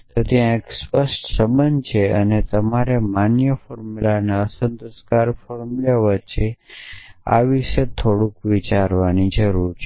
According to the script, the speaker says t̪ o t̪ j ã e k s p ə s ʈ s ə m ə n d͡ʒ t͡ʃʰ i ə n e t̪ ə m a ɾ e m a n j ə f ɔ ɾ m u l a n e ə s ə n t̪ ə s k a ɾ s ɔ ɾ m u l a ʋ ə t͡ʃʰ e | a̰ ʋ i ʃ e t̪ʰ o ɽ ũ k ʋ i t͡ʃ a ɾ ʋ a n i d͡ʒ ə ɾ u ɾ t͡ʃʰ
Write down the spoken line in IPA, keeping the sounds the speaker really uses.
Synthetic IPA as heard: t̪ o t̪ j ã e k s p ə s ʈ s ə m ə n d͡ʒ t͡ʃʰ e ə n e t̪ ə m a ɾ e m a n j ə f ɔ ɾ m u l a n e ə s ə n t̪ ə s k a ɾ f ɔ ɾ m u l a ʋ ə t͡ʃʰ e | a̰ ʋ i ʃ e t̪ʰ o ɽ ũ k ʋ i t͡ʃ a ɾ ʋ a n i d͡ʒ ə ɾ u ɾ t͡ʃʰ